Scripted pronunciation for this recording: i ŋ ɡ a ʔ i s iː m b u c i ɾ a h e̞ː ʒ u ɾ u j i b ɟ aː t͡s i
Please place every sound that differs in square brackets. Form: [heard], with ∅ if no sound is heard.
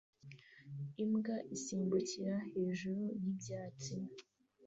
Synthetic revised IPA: i [m] ɡ a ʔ i s iː m b u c i ɾ a h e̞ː ʒ u ɾ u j i b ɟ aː t͡s i